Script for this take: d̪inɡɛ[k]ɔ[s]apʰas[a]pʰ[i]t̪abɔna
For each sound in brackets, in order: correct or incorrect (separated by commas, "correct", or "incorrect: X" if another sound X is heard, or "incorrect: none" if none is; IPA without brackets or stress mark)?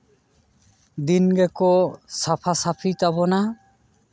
correct, correct, correct, correct